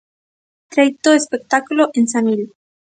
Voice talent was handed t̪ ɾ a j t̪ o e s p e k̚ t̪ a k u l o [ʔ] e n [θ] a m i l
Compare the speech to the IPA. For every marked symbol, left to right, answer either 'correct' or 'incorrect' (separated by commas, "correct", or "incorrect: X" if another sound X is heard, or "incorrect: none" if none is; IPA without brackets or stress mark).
correct, incorrect: s